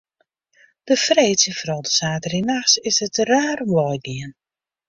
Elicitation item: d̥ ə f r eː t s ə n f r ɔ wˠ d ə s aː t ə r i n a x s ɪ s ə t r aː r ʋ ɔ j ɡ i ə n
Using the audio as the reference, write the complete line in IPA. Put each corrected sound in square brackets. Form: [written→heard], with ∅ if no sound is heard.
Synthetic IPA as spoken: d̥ ə f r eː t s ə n f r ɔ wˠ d ə s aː t ə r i n a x s ɪ s ə t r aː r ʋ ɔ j ɡ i ə n

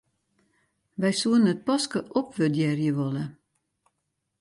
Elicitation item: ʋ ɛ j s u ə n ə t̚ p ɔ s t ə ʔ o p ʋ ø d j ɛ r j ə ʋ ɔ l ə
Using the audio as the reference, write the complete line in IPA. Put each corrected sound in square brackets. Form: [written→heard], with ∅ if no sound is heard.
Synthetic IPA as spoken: ʋ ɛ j s u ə n ə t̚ p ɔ s [t→k] ə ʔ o p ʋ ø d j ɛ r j ə ʋ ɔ l ə

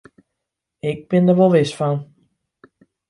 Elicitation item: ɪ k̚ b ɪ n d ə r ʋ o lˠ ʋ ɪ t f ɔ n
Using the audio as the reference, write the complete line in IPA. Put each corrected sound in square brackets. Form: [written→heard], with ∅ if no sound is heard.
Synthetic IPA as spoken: ɪ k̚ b ɪ n d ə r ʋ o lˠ ʋ ɪ [t→s] f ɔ n

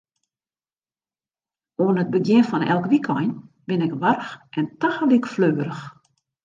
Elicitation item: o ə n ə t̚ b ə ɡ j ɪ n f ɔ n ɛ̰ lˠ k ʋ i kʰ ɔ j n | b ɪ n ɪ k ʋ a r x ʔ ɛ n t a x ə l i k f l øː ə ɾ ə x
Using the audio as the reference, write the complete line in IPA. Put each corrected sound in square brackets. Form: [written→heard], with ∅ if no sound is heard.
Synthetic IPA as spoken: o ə n ə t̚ b ə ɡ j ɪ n f ɔ n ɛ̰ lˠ k ʋ i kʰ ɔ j n | b ɪ n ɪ k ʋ a r x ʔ ɛ n t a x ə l i k f l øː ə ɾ ə x

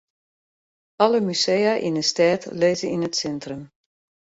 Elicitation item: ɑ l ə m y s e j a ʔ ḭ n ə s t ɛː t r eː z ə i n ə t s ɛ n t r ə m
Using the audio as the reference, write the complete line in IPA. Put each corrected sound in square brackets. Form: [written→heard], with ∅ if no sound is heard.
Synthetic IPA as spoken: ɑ l ə m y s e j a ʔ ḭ n ə s t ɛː t [r→l] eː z ə i n ə t s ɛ n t r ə m

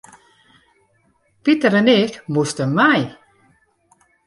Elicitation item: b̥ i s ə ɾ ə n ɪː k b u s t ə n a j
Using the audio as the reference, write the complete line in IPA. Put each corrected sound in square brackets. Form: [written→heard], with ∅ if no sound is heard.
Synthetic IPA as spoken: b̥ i [s→t] ə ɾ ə n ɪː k [b→m] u s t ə [n→m] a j

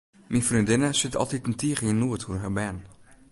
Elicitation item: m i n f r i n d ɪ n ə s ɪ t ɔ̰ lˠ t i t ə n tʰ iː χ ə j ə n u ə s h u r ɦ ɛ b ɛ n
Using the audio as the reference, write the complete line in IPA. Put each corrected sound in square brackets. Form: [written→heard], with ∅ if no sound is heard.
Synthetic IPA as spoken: m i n f r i n d ɪ n ə s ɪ t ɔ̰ lˠ t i t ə n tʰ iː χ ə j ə n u ə [s→t] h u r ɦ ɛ b ɛ n

